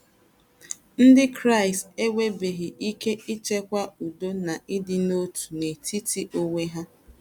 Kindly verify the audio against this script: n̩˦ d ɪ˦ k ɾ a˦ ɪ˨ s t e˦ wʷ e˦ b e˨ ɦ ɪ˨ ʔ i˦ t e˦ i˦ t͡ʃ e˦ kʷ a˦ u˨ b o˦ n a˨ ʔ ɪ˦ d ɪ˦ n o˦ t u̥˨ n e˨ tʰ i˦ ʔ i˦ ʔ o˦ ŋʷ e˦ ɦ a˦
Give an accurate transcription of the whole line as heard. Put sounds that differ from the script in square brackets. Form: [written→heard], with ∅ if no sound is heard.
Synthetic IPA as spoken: n̩˦ d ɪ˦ k ɾ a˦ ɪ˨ s t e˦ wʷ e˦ b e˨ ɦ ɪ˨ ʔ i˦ [t→k] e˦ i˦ t͡ʃ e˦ kʷ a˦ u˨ [b→d] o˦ n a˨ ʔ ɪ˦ d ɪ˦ n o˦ t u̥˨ n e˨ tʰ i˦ [ʔ→t] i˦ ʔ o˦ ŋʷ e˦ ɦ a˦